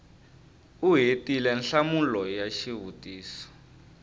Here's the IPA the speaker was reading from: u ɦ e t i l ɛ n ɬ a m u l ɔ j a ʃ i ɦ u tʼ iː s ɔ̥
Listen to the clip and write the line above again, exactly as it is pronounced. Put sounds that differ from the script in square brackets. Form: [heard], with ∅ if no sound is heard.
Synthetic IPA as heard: u ɦ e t i l ɛ n ɬ a m u l ɔ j a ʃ i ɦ u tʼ iː s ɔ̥